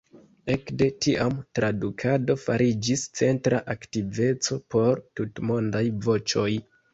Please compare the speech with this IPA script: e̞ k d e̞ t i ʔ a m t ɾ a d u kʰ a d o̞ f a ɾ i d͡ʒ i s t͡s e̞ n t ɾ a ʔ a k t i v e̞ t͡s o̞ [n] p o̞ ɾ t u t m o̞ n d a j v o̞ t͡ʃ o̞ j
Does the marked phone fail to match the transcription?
yes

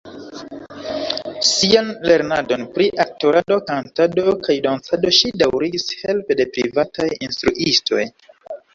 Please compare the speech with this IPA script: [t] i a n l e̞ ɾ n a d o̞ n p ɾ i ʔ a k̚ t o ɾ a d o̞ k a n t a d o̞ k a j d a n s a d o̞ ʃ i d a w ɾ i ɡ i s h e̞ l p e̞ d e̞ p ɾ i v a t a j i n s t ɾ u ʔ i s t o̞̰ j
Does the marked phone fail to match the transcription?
yes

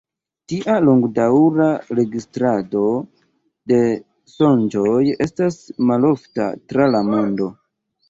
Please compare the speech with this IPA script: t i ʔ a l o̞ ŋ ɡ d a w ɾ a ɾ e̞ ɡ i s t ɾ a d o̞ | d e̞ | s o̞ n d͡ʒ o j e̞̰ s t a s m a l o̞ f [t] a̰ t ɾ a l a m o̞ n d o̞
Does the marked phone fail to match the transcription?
no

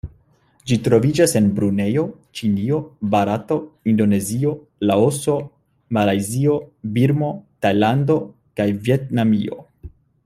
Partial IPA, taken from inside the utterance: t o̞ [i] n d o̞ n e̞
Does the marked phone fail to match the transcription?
no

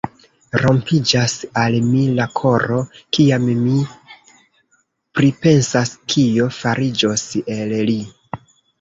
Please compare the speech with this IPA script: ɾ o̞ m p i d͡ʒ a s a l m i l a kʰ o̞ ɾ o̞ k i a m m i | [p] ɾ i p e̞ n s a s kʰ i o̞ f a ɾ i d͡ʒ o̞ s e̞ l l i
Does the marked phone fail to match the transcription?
no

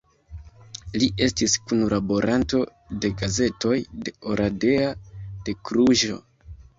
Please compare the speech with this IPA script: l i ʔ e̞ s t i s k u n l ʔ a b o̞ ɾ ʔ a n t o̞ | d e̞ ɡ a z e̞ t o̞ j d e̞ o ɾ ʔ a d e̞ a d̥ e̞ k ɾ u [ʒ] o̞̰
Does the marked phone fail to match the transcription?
no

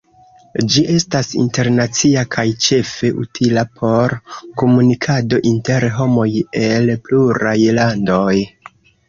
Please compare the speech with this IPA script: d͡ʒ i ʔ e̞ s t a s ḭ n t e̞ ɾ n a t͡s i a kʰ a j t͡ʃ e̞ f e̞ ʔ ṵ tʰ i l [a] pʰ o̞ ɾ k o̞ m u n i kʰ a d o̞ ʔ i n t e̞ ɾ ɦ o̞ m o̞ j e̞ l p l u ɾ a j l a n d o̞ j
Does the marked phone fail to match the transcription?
no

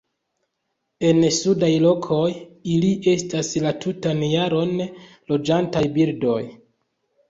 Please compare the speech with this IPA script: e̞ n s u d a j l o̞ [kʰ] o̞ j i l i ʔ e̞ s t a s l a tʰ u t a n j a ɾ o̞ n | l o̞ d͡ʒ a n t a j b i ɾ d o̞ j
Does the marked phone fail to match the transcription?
no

